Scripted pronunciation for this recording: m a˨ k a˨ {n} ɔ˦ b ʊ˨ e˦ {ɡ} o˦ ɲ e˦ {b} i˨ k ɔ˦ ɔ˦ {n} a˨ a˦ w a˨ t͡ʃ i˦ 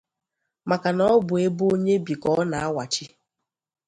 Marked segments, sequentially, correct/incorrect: correct, incorrect: b, correct, correct

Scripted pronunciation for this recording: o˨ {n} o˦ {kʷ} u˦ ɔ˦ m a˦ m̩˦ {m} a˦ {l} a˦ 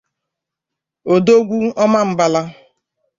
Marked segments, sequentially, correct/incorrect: incorrect: d, incorrect: ɡʷ, incorrect: b, correct

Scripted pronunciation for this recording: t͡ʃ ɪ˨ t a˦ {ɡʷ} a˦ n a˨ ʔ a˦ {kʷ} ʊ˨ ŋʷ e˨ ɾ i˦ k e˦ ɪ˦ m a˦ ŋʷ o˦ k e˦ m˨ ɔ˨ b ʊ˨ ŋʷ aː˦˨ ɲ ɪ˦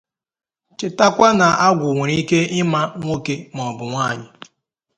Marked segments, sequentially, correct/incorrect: incorrect: kʷ, incorrect: ɡʷ

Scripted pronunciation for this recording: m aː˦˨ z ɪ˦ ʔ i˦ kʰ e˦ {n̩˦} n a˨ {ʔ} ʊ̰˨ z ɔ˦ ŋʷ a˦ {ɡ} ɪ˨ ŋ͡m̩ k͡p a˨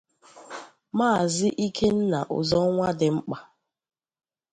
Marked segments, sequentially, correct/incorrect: correct, correct, incorrect: d

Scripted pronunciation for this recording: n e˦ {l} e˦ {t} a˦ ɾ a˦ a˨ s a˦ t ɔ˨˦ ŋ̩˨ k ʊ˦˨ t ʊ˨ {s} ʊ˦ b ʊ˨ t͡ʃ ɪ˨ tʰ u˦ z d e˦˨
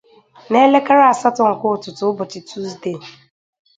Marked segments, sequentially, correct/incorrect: correct, incorrect: k, incorrect: t

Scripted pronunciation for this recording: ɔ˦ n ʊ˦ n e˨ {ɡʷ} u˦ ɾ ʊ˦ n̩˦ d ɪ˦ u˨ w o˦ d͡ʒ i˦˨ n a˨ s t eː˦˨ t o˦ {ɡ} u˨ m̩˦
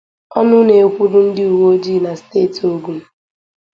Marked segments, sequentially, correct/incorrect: incorrect: kʷ, correct

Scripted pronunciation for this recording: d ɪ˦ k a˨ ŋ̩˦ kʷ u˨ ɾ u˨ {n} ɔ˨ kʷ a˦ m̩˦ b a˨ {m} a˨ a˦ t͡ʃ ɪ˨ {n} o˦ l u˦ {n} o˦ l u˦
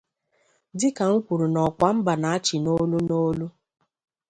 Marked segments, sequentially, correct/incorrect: correct, incorrect: n, correct, correct

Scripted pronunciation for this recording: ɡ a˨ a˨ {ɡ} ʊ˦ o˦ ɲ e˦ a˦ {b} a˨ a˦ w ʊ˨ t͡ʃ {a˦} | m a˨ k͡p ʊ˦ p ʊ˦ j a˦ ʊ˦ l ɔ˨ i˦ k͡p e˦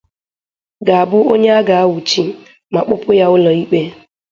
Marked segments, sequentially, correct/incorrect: incorrect: b, incorrect: ɡ, incorrect: i˦

